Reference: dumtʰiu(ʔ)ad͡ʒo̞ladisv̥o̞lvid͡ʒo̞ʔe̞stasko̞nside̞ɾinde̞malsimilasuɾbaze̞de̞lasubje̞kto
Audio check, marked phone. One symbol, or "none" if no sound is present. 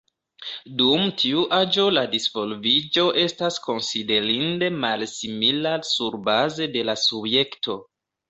ʔ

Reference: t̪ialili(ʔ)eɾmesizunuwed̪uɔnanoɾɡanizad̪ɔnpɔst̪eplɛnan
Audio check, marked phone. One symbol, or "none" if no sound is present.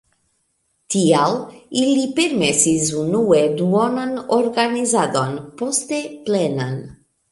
p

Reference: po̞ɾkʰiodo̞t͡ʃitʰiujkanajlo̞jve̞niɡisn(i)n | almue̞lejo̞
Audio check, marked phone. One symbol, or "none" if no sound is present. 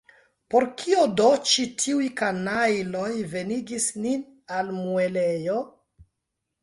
i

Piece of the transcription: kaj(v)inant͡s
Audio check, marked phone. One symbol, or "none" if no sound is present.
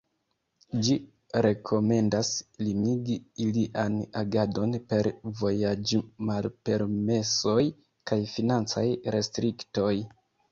f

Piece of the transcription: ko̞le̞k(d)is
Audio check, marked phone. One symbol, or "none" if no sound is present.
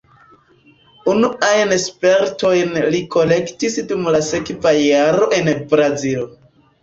t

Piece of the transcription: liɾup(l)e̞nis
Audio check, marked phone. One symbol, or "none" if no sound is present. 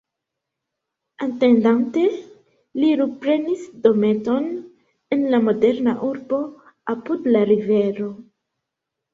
ɾ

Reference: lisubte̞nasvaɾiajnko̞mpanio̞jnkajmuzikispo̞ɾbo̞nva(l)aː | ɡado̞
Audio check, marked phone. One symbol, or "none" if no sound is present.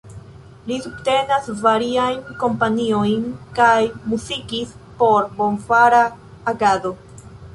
ɾ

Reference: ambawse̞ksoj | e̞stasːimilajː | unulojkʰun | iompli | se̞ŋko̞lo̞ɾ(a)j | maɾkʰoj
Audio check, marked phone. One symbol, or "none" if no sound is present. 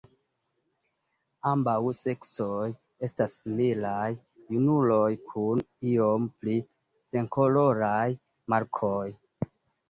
a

